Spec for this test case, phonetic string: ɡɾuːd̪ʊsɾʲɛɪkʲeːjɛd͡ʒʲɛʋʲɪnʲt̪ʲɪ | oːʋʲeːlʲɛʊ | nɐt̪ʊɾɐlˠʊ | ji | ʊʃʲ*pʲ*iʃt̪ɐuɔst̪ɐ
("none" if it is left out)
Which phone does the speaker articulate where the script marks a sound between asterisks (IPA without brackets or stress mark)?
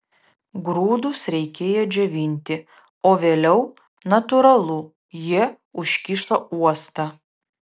kʲ